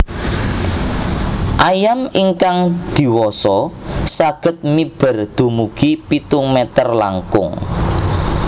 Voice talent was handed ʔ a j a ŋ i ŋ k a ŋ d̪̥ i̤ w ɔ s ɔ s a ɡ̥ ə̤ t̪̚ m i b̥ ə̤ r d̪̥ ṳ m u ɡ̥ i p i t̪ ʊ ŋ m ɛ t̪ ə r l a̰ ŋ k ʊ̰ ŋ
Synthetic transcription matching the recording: ʔ a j a m i ŋ k a ŋ d̪̥ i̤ w ɔ s ɔ s a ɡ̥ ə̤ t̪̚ m i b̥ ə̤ r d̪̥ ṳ m u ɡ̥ i p i t̪ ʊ ŋ m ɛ t̪ ə r l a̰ ŋ k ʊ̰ ŋ